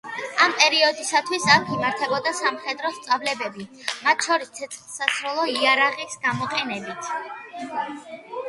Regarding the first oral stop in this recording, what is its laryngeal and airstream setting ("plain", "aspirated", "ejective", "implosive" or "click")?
ejective